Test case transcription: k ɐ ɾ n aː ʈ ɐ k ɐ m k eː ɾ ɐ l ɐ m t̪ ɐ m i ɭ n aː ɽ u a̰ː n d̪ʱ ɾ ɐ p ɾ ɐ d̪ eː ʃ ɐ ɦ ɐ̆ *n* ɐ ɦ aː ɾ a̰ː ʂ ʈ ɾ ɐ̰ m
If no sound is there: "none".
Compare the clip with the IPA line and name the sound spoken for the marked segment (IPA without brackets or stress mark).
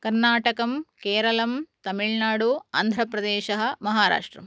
m